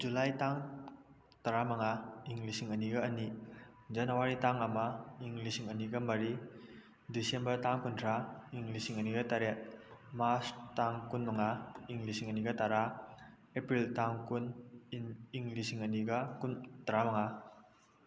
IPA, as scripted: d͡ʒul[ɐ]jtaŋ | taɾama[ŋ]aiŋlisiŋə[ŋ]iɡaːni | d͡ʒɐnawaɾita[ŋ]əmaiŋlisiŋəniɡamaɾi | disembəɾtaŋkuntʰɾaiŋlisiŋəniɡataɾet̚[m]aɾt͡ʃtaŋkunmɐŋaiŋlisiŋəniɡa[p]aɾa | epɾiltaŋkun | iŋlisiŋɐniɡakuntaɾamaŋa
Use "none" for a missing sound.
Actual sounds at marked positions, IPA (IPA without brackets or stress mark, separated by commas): a, ŋ, n, ŋ, m, t